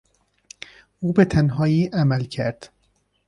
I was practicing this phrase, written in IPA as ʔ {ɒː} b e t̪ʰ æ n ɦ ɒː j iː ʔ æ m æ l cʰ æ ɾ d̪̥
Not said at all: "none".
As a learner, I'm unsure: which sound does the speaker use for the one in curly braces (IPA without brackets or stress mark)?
uː